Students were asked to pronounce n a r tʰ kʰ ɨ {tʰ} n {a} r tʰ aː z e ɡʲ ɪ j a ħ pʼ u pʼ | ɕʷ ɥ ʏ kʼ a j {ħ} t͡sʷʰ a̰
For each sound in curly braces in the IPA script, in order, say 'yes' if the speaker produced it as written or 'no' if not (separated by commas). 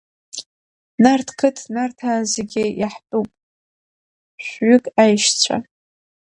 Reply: yes, yes, no